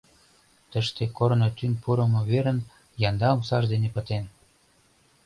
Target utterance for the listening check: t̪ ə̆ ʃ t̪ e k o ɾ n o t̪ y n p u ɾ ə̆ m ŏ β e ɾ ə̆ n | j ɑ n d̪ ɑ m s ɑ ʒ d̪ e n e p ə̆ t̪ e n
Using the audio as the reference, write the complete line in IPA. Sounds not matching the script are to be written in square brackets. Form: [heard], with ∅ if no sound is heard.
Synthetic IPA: t̪ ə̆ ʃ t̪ e k o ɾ n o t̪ y n p u ɾ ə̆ m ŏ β e ɾ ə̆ n | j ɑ n d̪ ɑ m s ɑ ʒ d̪ e n e p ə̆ t̪ e n